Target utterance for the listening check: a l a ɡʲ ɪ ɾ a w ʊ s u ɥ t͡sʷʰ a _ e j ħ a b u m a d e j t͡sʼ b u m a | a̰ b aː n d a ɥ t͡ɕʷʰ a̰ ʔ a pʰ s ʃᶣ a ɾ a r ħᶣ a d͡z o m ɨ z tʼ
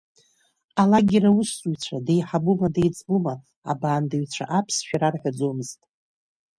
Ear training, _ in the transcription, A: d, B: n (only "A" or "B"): A